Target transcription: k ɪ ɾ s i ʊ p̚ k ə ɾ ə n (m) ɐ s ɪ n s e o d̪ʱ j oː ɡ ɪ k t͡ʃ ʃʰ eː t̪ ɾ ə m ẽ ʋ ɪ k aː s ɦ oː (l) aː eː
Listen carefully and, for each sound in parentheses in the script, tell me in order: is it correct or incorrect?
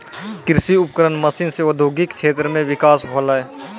correct, correct

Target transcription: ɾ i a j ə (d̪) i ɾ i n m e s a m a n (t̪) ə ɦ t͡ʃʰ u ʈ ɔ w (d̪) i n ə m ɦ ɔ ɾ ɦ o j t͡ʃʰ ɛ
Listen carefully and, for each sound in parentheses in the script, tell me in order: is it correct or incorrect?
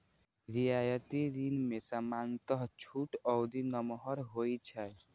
incorrect: t̪, correct, correct

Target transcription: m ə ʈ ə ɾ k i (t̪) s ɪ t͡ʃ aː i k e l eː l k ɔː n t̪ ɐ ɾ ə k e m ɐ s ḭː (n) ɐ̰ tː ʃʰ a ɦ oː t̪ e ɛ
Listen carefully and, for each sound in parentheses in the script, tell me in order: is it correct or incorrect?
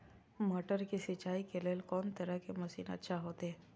incorrect: none, correct

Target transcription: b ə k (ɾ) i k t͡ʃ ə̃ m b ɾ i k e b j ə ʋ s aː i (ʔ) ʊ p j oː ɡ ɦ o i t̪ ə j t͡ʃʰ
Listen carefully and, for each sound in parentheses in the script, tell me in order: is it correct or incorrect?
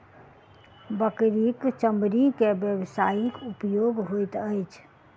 correct, incorrect: k

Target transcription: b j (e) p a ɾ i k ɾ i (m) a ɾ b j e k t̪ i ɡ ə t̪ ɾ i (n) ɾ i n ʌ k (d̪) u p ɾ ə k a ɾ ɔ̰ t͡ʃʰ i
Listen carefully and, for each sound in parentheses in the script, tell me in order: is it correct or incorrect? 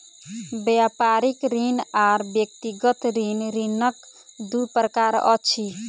incorrect: a, incorrect: n, correct, correct

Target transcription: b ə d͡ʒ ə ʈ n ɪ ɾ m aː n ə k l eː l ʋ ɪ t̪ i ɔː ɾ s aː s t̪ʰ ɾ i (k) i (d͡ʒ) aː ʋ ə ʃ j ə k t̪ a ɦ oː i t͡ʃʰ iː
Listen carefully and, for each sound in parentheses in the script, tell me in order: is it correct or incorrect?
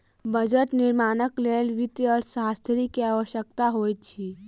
correct, incorrect: none

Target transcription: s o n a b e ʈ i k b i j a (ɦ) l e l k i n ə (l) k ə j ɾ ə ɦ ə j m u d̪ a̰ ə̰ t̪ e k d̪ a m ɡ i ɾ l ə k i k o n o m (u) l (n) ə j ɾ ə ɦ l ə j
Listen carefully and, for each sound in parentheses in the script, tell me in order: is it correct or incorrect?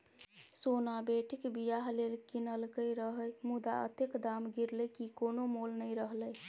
correct, correct, incorrect: o, correct

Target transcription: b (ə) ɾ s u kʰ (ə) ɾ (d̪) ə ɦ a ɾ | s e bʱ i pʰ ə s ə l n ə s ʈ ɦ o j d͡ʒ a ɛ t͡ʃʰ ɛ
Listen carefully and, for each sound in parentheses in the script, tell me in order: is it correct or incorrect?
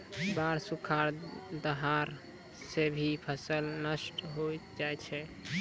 incorrect: a, incorrect: a, correct

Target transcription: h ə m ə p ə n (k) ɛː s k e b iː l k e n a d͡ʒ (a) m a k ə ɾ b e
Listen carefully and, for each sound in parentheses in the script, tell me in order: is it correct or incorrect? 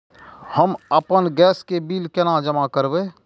incorrect: ɡ, incorrect: ə

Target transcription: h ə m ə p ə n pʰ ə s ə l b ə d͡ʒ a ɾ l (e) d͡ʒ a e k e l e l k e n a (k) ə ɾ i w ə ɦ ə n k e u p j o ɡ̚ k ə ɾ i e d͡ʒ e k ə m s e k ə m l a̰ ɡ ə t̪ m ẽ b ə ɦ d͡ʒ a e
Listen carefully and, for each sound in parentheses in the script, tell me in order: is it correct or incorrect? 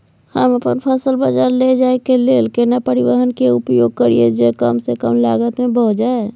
correct, incorrect: p

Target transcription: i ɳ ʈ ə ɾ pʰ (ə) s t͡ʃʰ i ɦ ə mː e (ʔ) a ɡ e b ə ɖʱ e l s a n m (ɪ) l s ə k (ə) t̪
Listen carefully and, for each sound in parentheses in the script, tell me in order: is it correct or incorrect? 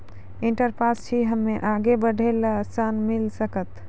incorrect: a, correct, incorrect: i, correct

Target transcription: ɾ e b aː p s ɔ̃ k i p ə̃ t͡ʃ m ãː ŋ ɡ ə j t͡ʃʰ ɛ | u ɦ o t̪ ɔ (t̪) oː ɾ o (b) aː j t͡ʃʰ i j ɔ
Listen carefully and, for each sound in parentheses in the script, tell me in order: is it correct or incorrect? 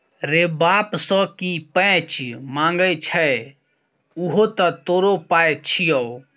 correct, incorrect: p

